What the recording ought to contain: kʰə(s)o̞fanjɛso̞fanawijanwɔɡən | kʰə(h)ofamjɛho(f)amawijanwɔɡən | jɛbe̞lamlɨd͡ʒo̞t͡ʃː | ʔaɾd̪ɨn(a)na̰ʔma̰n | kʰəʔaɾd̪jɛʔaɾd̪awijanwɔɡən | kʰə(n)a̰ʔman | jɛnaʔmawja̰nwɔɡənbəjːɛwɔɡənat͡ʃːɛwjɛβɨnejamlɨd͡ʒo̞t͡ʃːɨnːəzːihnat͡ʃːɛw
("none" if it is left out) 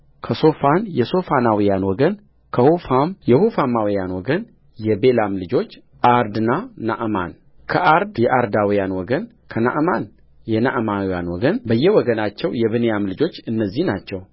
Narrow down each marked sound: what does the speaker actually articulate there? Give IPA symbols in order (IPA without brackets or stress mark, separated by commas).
s, h, f, a, n